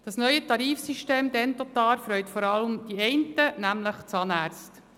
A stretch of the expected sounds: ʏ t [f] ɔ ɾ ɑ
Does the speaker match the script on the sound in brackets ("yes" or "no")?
yes